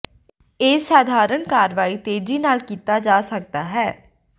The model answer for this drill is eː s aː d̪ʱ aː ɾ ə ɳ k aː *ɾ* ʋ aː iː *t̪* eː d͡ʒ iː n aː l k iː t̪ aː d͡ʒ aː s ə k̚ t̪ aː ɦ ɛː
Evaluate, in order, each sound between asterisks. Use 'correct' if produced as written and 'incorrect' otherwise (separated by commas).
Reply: correct, correct